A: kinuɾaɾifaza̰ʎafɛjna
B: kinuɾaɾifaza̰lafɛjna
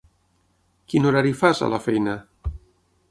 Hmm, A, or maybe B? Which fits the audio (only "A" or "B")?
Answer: B